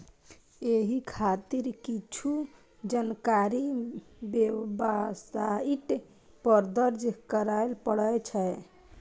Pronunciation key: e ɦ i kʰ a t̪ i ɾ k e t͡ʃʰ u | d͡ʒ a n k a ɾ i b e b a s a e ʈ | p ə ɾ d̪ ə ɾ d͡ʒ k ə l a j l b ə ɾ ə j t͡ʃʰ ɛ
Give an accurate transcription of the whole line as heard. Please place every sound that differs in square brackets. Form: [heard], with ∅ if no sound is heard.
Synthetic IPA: e ɦ i kʰ a t̪ i ɾ k [i] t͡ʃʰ u | d͡ʒ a n k a ɾ i b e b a s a [i] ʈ | p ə ɾ d̪ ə ɾ d͡ʒ k ə [ɾ] a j l [p] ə [ɽ] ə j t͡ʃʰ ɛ